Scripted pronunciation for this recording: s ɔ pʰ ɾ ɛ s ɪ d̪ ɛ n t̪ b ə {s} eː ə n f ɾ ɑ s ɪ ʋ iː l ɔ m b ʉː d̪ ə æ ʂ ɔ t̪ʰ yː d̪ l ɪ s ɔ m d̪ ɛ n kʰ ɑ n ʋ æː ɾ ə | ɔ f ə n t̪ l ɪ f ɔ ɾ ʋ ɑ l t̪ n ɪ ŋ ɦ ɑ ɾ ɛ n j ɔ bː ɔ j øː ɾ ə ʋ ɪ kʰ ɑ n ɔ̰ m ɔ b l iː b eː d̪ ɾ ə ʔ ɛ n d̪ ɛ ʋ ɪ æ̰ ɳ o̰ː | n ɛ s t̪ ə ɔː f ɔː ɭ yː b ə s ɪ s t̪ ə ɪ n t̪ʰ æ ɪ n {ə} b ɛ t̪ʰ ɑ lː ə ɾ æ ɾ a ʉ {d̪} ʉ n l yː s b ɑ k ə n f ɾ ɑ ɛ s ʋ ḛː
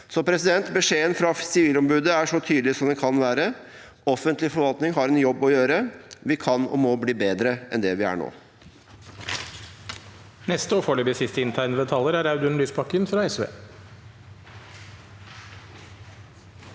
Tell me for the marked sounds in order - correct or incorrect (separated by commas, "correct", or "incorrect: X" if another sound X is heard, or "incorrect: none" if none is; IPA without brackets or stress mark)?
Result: incorrect: ʂ, correct, correct